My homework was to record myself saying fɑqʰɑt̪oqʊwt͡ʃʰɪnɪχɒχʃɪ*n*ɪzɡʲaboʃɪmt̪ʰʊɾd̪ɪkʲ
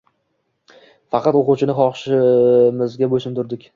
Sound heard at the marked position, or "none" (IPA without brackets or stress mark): m